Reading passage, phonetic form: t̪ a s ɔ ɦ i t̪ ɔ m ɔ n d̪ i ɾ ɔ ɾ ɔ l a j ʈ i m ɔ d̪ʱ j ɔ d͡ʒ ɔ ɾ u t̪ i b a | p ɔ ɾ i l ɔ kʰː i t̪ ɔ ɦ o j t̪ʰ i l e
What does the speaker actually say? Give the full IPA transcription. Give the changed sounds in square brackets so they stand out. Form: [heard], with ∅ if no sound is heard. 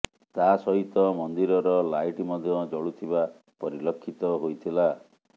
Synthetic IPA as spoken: t̪ a s ɔ ɦ i t̪ ɔ m ɔ n d̪ i ɾ ɔ ɾ ɔ l a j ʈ i m ɔ d̪ʱ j ɔ d͡ʒ ɔ [ɭ] u [t̪ʰ] i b a | p ɔ ɾ i l ɔ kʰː i t̪ ɔ ɦ o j t̪ʰ i l [a]